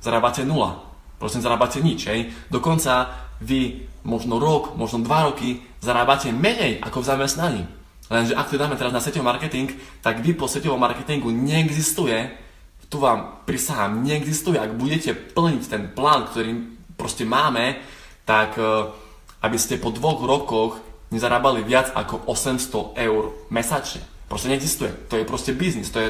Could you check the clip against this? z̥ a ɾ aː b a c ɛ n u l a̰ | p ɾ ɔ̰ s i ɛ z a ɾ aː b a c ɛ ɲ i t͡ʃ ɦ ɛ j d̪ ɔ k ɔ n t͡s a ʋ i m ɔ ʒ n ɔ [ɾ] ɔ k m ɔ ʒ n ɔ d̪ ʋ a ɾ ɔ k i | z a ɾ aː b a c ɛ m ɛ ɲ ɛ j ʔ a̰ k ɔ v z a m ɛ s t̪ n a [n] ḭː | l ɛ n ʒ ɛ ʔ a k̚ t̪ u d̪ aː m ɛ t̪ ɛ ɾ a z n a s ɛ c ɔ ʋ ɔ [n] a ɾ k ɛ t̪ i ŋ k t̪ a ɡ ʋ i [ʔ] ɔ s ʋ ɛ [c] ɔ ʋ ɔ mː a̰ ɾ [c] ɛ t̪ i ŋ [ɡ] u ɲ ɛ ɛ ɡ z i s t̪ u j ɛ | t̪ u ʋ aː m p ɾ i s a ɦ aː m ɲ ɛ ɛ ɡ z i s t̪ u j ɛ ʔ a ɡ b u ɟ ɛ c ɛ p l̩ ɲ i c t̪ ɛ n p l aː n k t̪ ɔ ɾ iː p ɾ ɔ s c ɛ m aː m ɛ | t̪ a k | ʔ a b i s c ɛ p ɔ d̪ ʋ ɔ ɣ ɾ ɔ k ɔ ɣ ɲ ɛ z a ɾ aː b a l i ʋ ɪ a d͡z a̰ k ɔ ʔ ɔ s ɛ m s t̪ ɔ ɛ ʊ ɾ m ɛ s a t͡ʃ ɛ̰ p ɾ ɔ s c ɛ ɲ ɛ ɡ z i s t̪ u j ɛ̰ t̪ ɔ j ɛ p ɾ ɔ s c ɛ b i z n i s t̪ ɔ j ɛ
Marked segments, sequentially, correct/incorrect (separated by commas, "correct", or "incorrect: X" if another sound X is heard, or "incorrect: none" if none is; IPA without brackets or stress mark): correct, incorrect: ɲ, incorrect: m, incorrect: p, correct, incorrect: k, correct